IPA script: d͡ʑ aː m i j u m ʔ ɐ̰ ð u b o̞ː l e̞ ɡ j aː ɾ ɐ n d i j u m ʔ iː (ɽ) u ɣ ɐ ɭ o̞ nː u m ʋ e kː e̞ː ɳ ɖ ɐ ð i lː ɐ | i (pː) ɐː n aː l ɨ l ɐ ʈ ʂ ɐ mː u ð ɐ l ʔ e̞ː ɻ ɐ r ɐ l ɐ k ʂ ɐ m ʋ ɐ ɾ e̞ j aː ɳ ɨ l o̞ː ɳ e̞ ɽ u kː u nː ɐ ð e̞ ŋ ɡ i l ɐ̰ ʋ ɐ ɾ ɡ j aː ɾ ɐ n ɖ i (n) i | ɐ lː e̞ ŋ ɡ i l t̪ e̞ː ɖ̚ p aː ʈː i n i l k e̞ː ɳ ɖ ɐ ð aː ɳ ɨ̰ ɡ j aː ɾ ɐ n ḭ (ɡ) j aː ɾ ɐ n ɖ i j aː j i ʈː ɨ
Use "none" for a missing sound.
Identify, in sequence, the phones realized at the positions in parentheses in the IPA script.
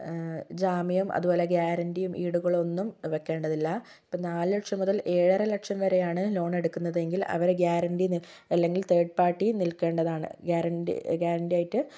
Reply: ɽ, pː, n, ɡ

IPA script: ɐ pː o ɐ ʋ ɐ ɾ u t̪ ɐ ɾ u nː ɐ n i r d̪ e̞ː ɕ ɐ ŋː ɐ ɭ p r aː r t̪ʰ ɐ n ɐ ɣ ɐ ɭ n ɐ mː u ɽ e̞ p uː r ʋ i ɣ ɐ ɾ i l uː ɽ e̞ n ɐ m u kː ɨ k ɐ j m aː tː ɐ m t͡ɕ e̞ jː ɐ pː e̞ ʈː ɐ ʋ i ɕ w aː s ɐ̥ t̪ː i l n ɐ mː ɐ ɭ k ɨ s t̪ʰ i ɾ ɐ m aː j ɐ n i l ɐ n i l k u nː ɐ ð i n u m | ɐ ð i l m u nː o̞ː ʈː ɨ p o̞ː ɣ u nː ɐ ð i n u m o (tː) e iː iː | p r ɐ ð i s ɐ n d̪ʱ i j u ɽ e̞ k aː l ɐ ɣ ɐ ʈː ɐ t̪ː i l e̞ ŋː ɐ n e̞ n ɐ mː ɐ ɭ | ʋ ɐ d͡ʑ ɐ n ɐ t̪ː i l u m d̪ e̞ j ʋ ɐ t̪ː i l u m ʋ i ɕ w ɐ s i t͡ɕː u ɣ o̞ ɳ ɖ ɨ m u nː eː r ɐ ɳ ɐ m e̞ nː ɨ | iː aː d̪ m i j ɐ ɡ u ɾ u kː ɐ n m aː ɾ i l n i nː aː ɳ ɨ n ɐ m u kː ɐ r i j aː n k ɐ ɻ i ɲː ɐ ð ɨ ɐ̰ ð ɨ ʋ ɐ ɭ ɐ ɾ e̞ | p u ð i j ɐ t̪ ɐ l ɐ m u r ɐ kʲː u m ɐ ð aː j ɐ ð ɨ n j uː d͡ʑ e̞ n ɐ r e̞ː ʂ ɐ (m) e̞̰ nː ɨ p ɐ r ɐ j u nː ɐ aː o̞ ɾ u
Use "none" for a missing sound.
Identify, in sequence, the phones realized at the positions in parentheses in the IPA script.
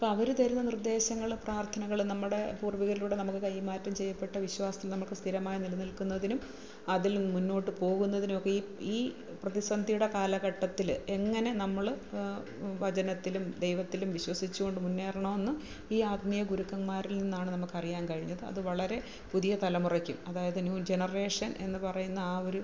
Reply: kː, n

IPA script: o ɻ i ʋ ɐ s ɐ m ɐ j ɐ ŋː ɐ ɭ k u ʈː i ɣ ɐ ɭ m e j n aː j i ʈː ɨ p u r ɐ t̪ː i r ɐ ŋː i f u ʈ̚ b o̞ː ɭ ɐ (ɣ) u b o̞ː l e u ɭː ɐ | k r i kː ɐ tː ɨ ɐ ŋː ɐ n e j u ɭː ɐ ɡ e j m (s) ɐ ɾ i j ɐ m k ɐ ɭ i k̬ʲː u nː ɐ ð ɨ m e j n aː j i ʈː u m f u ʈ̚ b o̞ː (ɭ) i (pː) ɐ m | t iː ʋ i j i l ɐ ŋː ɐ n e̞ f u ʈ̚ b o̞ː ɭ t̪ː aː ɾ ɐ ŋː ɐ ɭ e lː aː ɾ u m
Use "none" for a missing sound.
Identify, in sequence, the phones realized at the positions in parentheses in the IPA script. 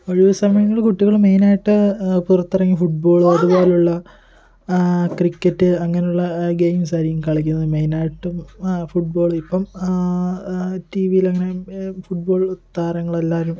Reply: ð, s, ɭ, pː

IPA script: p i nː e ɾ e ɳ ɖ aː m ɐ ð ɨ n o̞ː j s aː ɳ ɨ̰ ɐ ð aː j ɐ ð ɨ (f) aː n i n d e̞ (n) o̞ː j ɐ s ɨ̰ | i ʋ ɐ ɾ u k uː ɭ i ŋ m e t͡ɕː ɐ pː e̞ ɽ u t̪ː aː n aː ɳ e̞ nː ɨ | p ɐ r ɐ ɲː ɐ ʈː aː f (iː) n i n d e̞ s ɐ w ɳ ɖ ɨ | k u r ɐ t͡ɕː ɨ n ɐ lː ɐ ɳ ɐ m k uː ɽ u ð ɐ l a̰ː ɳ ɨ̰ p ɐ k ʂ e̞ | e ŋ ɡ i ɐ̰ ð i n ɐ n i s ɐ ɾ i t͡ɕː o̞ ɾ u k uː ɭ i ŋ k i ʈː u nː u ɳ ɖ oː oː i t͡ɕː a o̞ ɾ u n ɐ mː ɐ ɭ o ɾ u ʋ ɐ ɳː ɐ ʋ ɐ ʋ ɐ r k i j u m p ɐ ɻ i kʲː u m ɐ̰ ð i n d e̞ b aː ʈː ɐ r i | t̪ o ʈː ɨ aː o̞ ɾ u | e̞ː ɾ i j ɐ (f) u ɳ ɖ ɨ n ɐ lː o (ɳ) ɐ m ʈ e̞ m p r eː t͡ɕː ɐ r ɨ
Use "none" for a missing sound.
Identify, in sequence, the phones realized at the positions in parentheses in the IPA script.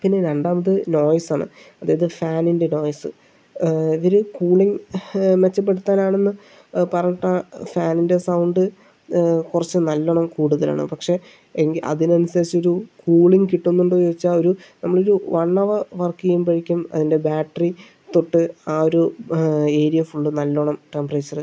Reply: f, n, aː, f, ɳ

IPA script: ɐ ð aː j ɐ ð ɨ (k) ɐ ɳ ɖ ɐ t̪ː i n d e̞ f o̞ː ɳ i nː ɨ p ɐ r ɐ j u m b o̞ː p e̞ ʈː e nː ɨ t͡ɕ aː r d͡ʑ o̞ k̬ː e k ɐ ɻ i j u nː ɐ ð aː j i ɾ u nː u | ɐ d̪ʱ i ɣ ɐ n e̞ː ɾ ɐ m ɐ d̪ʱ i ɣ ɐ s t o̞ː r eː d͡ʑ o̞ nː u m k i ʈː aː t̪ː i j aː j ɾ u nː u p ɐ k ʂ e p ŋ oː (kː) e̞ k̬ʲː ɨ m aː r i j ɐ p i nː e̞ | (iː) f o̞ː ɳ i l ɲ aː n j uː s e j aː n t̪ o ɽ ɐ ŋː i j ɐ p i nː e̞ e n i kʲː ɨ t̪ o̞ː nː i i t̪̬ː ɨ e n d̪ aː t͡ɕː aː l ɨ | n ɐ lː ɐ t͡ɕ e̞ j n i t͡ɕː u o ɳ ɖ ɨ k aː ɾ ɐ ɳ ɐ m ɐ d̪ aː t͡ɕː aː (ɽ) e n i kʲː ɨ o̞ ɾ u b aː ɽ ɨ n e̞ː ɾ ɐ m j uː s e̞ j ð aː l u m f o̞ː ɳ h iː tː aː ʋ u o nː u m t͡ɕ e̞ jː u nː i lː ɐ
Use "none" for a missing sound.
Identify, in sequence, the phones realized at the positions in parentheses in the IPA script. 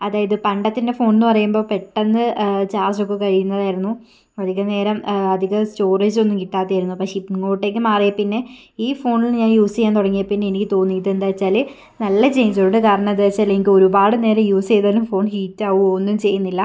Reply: p, ʈː, iː, l

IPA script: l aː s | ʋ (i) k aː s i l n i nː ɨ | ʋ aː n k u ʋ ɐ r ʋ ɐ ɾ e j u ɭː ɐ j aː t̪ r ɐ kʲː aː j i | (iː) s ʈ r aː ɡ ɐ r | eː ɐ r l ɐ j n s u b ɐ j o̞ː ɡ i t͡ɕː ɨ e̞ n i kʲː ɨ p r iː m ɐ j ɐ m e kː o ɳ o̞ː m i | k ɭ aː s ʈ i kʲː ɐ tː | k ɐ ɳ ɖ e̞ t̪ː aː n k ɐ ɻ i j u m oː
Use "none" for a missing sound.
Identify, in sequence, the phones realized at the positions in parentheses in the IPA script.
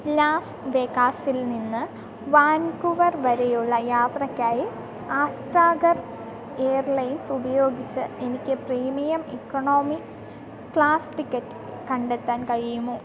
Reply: e, aː

